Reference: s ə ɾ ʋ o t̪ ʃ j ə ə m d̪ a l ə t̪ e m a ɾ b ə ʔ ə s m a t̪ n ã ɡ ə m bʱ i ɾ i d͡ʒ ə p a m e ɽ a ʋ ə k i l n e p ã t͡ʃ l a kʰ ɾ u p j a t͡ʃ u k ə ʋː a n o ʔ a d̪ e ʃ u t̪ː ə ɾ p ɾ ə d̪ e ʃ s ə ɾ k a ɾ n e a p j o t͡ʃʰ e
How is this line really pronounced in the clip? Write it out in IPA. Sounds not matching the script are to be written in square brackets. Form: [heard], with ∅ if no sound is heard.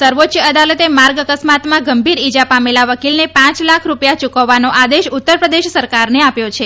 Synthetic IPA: s ə ɾ ʋ o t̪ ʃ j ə ə [∅] d̪ a l ə t̪ e m a ɾ [ɡ] ə [k] ə s m a t̪ [m] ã ɡ ə m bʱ i ɾ i d͡ʒ [a] p a m e [l] a ʋ ə k i l n e p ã t͡ʃ l a kʰ ɾ u p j a t͡ʃ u k ə ʋː a n o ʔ a d̪ e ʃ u t̪ː ə ɾ p ɾ ə d̪ e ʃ s ə ɾ k a ɾ n e a p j o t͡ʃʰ e